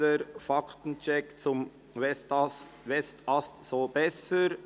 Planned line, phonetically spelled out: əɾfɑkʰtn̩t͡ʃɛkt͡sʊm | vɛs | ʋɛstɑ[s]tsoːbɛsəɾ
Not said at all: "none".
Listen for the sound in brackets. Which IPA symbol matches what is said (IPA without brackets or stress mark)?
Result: s